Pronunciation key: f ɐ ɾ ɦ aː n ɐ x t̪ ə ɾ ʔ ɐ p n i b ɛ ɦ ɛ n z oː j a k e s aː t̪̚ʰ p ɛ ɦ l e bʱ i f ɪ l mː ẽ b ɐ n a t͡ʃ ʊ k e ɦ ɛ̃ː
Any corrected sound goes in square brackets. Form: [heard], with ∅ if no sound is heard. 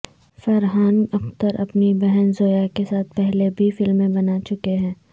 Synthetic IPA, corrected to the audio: f ɐ ɾ ɦ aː n ɐ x t̪ ə ɾ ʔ ɐ p n i b ɛ ɦ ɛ n z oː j a k e s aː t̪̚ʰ p ɛ ɦ l e bʱ i f ɪ l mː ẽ b ɐ n a t͡ʃ ʊ k e ɦ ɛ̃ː

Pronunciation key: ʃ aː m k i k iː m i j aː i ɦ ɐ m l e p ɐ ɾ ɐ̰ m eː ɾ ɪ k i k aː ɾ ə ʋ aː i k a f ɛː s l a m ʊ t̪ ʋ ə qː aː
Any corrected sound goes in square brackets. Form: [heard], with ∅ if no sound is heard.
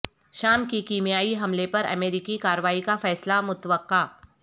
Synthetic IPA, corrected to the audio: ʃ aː m k i k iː m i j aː i ɦ ɐ m l e p ɐ ɾ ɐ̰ m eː ɾ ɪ k i k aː ɾ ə ʋ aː i k a f ɛː s l a m ʊ t̪ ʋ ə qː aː

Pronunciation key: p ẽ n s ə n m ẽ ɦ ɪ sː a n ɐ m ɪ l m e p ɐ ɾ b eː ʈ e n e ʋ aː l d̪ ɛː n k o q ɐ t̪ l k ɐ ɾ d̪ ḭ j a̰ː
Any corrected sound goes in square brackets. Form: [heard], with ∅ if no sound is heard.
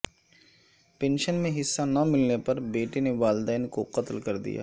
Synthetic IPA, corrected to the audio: p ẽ n [ʃ] ə n m ẽ ɦ ɪ sː a n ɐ m ɪ l [n] e p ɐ ɾ b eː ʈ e n e ʋ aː l d̪ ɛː n k o q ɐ t̪ l k ɐ ɾ d̪ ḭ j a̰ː

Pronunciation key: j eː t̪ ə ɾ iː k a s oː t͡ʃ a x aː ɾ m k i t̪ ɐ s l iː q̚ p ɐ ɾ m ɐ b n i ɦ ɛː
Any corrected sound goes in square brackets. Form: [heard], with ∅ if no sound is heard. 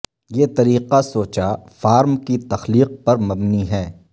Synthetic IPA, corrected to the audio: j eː t̪ [ɐ] ɾ iː [q] a s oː t͡ʃ a [f] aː ɾ m k i t̪ ɐ [x] l iː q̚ p ɐ ɾ m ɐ b n i ɦ ɛː

